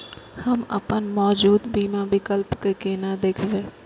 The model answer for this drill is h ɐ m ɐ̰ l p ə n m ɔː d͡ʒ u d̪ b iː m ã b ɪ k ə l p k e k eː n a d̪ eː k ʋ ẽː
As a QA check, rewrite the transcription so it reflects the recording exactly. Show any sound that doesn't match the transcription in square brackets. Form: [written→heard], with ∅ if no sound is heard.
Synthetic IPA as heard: h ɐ m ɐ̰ [l→∅] p ə n m ɔː d͡ʒ [u→uː] d̪ b iː m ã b ɪ k ə l p k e k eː n a d̪ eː [k→kʰ] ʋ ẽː